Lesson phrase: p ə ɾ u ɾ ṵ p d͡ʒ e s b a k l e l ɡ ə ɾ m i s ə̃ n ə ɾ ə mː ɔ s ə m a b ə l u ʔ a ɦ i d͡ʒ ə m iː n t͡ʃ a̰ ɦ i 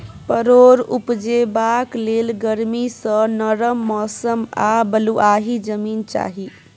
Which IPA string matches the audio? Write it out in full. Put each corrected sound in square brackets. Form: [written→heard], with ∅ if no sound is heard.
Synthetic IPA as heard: p ə ɾ [u→o] ɾ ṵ p d͡ʒ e [s→∅] b a k l e l ɡ ə ɾ m i s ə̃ n ə ɾ ə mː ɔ s ə m a b ə l u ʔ a ɦ i d͡ʒ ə m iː n t͡ʃ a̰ ɦ i